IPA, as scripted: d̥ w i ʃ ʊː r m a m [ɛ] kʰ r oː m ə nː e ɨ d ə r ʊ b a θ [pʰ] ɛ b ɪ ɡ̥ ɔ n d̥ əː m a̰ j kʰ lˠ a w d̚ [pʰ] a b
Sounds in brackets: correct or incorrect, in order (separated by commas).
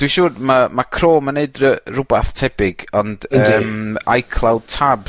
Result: incorrect, incorrect, incorrect